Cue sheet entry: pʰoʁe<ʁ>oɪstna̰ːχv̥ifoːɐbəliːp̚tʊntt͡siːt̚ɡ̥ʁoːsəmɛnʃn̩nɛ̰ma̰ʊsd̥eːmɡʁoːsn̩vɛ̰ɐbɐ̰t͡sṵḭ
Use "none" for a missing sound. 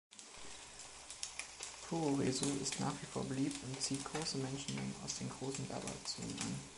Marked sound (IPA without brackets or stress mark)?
z